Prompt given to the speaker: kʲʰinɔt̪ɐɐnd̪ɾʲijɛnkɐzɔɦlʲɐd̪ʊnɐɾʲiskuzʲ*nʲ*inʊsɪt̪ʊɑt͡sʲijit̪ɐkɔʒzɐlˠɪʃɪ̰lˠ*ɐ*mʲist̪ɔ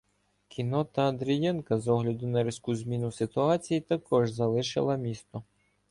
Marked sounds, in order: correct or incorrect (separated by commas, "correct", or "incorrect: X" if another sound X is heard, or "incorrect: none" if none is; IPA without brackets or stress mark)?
incorrect: mʲ, correct